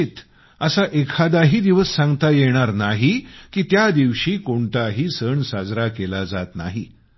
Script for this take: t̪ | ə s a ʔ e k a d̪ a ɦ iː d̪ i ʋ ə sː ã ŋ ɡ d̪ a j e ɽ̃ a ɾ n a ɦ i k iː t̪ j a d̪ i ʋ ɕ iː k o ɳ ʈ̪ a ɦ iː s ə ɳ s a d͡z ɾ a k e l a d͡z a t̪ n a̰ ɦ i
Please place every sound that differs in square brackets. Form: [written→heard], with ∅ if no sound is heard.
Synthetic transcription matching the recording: t̪ | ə s a ʔ e [k→kʰ] a d̪ a ɦ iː d̪ i ʋ ə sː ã ŋ ɡ [d̪→t̪] a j e ɽ̃ a ɾ n a ɦ i k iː t̪ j a d̪ i ʋ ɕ iː k o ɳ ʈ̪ a ɦ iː s ə ɳ s a d͡z ɾ a k e l a d͡z a t̪ n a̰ ɦ i